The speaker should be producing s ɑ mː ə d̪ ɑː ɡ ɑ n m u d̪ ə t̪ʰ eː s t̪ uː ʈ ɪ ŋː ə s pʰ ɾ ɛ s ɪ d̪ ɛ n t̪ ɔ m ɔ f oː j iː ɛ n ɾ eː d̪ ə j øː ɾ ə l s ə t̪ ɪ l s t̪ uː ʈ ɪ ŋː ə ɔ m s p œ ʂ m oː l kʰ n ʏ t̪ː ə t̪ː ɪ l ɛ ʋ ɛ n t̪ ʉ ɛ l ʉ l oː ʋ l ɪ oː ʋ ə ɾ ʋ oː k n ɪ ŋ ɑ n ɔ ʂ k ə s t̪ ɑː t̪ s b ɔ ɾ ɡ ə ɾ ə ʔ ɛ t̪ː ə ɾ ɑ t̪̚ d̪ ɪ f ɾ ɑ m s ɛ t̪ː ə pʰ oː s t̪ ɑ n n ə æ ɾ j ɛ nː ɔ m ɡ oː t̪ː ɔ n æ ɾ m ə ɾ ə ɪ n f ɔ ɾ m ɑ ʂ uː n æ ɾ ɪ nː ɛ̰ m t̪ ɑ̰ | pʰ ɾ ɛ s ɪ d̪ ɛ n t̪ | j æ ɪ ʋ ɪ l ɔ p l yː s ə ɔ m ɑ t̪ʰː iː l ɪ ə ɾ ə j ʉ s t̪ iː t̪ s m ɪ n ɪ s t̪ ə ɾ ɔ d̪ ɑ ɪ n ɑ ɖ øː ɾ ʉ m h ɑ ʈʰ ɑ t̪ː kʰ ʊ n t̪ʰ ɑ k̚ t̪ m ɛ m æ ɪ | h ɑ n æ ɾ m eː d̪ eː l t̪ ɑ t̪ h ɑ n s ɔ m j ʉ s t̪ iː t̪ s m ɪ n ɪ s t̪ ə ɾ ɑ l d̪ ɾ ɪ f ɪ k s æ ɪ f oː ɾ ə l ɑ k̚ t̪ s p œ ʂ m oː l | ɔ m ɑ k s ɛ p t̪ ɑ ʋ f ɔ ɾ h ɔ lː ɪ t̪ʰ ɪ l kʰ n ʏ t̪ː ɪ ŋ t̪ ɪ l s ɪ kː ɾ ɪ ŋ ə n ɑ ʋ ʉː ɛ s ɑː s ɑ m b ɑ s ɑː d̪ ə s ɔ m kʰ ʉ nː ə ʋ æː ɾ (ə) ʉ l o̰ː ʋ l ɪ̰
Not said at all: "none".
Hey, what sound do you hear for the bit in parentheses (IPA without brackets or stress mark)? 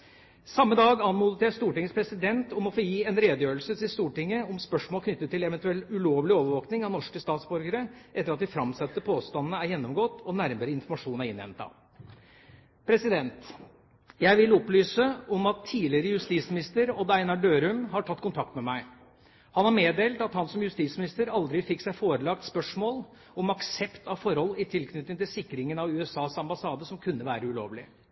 ə